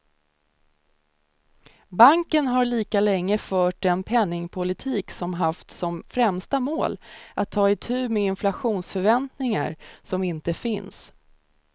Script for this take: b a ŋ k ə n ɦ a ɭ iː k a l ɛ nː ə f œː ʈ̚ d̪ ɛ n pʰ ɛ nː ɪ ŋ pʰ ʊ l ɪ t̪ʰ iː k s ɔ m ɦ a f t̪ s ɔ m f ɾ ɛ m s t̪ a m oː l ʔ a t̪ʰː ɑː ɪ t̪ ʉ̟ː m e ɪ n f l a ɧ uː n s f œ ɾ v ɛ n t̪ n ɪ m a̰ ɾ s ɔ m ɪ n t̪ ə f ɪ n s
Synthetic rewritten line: b a ŋ k ə n ɦ a ɭ iː k a l ɛ ŋː ə f œː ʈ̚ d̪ ɛ n pʰ ɛ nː ɪ ŋ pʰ ʊ l ɪ t̪ʰ iː k s ɔ m ɦ a f t̪ s ɔ m f ɾ ɛ m s t̪ a m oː l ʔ a t̪ʰː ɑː ɪ t̪ʰ ʉ̟ː m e ɪ n f l a ɧ uː n s f œ ɾ v ɛ n t̪ n ɪ ŋ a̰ ɾ s ɔ m ɪ n t̪ ə f ɪ n s